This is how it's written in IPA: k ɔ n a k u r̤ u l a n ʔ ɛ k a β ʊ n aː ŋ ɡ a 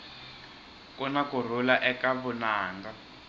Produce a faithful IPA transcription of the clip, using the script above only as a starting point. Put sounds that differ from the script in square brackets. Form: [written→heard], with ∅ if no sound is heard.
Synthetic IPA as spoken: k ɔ n a k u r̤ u l a [n→∅] ʔ ɛ k a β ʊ n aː ŋ ɡ a

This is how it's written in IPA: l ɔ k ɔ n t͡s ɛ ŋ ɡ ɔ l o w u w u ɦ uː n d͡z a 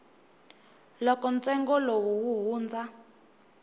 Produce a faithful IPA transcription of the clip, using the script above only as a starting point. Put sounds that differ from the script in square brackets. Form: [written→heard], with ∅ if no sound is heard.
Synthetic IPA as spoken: l ɔ k ɔ n t͡s ɛ ŋ ɡ ɔ l o w u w u ɦ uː n d͡z a

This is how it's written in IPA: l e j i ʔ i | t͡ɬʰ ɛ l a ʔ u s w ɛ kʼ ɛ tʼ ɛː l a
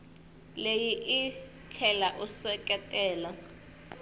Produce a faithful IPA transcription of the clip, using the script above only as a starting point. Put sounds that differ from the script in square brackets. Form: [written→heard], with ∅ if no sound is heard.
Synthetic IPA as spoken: l e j i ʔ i | t͡ɬʰ ɛ l a ʔ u s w ɛ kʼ ɛ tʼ ɛː l a

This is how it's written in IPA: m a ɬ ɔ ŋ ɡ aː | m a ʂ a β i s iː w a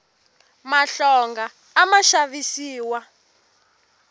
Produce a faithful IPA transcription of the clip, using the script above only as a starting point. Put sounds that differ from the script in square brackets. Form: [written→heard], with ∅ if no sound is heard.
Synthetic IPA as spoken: m a ɬ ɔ ŋ ɡ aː | m a [ʂ→ʃ] a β i s iː w a

